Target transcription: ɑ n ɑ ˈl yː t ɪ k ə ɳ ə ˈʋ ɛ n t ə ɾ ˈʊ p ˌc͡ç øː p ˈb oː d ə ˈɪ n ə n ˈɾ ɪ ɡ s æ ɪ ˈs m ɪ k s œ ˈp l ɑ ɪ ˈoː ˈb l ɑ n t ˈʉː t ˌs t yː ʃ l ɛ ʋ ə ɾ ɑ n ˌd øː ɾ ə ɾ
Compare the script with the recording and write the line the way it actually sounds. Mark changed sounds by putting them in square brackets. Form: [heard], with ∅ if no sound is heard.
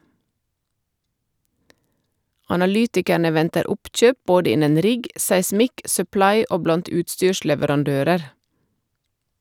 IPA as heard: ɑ n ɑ ˈl yː t ɪ k ə ɳ ə ˈʋ ɛ n t ə ɾ ˈʊ p ˌc͡ç øː p ˈb oː d ə ˈɪ n ə n ˈɾ ɪ ɡ s æ ɪ ˈs m ɪ k s œ ˈp l ɑ ɪ ˈoː ˈb l ɑ n t ˈʉː t ˌs t yː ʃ l ɛ ʋ ə ɾ ɑ n ˌd øː ɾ ə ɾ